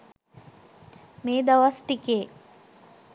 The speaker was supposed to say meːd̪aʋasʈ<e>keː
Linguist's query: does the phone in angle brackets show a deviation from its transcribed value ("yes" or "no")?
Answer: yes